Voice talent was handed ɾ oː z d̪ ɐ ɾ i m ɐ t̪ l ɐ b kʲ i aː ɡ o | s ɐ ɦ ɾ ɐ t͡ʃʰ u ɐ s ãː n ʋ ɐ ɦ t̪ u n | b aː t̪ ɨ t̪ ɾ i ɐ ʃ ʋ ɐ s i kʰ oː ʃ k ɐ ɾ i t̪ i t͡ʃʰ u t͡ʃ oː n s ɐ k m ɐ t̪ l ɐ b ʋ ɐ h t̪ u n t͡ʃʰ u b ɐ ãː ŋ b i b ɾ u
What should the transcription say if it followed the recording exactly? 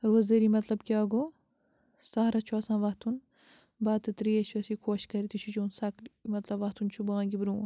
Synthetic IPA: ɾ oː z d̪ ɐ ɾ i m ɐ t̪ l ɐ b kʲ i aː ɡ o | s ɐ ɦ ɾ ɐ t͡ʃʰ u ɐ s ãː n ʋ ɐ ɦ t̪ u n | b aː t̪ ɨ t̪ ɾ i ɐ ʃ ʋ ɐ s i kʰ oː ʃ k ɐ ɾ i t̪ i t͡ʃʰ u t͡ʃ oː n s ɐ k m ɐ t̪ l ɐ b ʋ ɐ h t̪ u n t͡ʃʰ u b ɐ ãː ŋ ɡ i b ɾ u

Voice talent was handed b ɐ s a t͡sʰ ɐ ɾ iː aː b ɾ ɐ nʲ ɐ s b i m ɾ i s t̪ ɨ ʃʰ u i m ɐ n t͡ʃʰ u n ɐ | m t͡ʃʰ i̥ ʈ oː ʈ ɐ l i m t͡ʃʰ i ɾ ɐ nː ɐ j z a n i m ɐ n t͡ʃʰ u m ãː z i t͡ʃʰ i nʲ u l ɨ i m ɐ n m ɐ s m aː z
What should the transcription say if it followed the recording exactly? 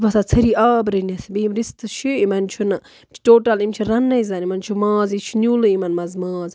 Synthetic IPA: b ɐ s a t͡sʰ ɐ ɾ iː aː b ɾ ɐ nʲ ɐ s b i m ɾ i s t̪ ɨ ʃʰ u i m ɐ n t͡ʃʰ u n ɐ | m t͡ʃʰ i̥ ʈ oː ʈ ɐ l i m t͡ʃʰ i ɾ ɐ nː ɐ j z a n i m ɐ n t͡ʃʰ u m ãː z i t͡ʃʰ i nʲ u l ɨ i m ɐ n m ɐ z m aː z

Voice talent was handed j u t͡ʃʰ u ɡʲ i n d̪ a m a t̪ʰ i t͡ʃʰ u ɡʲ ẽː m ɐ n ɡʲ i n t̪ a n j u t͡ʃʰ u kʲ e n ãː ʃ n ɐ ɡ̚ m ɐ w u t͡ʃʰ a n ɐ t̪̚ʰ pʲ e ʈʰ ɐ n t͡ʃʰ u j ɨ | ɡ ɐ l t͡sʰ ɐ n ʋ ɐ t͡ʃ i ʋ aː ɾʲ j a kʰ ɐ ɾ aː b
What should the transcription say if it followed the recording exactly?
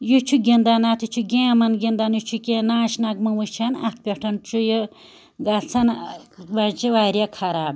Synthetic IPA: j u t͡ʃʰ u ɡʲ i n d̪ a n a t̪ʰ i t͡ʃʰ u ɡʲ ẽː m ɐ n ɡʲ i n d̪ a n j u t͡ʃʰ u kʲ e n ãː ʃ n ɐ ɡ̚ m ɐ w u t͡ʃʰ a n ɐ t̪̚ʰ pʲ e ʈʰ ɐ n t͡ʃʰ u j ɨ | ɡ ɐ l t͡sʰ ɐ n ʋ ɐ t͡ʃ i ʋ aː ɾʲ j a kʰ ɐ ɾ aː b

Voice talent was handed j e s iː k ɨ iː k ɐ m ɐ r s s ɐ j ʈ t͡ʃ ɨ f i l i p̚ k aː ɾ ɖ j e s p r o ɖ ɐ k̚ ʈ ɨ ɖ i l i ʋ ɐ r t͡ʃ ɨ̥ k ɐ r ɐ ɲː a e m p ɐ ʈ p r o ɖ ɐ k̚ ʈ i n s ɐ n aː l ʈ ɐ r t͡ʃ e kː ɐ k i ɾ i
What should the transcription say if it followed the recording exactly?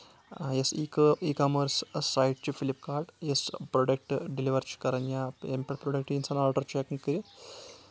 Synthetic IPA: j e s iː k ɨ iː k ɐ m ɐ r s s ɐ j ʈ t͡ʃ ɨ f i l i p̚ k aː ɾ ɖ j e s p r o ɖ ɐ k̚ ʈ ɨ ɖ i l i ʋ ɐ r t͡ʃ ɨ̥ k ɐ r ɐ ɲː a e m p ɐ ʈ p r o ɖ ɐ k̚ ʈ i n s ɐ n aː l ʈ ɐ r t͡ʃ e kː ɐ k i ɾ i

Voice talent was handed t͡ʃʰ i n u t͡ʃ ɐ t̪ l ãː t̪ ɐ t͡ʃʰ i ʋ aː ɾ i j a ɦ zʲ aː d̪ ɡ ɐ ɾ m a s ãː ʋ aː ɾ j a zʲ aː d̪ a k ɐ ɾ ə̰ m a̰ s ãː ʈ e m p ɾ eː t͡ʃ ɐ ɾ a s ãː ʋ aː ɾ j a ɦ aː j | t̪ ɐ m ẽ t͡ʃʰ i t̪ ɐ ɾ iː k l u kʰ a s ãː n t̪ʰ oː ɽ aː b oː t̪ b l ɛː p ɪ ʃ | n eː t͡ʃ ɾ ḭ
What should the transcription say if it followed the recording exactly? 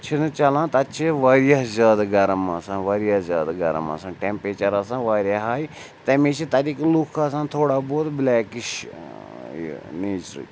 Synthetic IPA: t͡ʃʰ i n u t͡ʃ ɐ l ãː t̪ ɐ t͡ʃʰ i ʋ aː ɾ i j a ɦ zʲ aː d̪ ɡ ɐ ɾ m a s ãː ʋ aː ɾ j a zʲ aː d̪ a ɡ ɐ ɾ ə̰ m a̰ s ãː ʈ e m p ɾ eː t͡ʃ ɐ ɾ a s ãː ʋ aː ɾ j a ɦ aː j | t̪ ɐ m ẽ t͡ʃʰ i t̪ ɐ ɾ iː k l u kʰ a s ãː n t̪ʰ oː ɽ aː b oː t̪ b l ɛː k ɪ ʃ | n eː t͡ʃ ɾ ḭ

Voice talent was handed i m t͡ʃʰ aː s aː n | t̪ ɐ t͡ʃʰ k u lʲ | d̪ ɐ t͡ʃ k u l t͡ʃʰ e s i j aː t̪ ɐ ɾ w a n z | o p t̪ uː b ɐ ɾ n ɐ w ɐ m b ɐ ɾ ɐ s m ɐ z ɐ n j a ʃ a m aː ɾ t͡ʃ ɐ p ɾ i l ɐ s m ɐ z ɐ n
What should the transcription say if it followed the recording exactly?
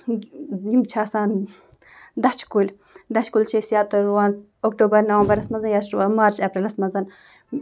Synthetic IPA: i m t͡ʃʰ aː s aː n | d̪ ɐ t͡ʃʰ k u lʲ | d̪ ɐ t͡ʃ k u l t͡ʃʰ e s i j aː t̪ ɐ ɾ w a n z | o k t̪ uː b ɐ ɾ n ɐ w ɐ m b ɐ ɾ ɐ s m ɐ z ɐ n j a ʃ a m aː ɾ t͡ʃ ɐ p ɾ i l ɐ s m ɐ z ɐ n

